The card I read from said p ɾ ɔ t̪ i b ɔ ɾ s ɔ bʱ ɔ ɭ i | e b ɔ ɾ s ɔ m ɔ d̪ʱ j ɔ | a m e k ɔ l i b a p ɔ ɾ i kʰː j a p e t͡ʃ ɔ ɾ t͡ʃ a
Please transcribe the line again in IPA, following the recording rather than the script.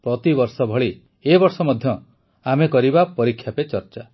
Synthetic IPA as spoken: p ɾ ɔ t̪ i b ɔ ɾ s ɔ bʱ ɔ ɭ i | e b ɔ ɾ s ɔ m ɔ d̪ʱ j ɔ | a m e k ɔ ɾ i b a p ɔ ɾ i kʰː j a p e t͡ʃ ɔ ɾ t͡ʃ a